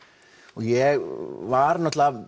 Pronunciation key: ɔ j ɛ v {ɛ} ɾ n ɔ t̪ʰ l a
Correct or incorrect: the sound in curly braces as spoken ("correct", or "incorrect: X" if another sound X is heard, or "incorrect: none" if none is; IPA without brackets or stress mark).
incorrect: a